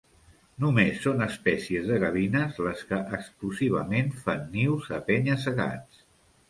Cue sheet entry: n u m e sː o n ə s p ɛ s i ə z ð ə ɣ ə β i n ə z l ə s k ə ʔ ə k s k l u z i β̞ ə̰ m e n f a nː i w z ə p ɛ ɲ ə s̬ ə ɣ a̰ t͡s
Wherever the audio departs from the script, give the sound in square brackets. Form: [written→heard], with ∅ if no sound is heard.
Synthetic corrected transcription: n u m e sː o n ə s p ɛ s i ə z ð ə ɣ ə β i n ə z l ə s k ə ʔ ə k s k l u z i β̞ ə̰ m e n f a nː i w z ə p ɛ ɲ ə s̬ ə ɣ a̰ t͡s

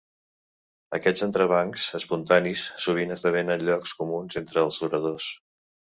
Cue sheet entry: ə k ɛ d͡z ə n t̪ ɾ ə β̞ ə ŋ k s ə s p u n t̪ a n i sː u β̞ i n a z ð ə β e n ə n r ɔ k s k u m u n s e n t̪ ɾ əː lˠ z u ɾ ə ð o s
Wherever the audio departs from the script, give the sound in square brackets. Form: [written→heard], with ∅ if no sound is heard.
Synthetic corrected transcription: ə k ɛ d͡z ə n t̪ ɾ ə β̞ [ə→a] ŋ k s ə s p u n t̪ a n i sː u β̞ i n [a→ə] z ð ə β e n ə n [r→ʎ] ɔ k s k u m u n [s→z] e n t̪ ɾ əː lˠ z u ɾ ə ð o s

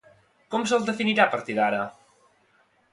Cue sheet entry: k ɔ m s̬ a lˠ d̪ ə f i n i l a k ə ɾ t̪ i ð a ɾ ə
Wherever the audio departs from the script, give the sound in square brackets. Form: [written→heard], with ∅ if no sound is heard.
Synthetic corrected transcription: k ɔ m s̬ [a→ə] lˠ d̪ ə f i n i [l→ɾ] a [k→p] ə ɾ t̪ i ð a ɾ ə

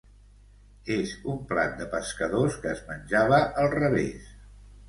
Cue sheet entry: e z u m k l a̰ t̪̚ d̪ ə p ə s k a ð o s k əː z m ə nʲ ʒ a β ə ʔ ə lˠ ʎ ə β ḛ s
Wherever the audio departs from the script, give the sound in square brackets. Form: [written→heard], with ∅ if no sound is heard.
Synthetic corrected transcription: e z u m [k→p] l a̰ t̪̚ d̪ ə p ə s k [a→ə] ð o s k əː z m ə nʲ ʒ a β ə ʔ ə lˠ [ʎ→r] ə β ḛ s

